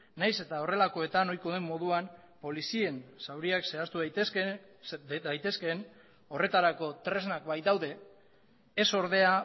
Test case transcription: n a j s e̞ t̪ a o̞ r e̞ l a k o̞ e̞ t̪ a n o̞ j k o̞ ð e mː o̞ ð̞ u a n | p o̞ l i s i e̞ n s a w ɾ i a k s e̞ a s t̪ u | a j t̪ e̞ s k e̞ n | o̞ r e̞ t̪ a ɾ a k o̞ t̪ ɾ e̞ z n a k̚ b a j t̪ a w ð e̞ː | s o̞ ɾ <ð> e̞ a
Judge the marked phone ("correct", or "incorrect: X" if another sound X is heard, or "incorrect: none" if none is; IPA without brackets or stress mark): correct